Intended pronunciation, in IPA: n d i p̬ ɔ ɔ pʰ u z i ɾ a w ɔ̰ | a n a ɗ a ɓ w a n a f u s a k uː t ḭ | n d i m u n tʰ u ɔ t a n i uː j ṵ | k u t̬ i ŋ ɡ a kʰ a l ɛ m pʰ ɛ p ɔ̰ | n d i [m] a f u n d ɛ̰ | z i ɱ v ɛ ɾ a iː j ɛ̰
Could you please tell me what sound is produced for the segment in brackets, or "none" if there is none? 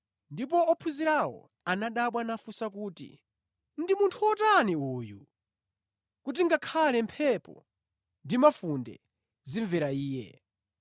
m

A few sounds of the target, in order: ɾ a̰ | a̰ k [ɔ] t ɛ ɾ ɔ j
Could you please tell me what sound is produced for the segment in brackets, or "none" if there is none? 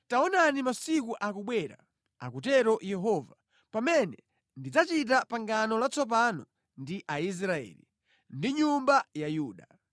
u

